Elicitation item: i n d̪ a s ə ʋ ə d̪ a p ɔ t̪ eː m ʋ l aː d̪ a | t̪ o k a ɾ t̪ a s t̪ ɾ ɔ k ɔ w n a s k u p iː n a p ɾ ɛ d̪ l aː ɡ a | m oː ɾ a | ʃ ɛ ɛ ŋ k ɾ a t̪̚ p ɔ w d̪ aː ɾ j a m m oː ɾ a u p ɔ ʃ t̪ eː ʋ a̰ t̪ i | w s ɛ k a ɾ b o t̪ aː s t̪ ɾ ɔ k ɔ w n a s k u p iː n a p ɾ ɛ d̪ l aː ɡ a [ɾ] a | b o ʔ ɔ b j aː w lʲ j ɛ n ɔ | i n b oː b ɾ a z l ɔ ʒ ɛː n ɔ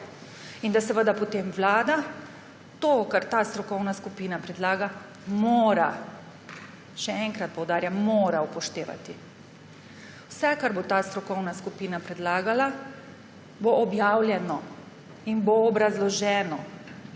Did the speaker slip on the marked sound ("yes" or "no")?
yes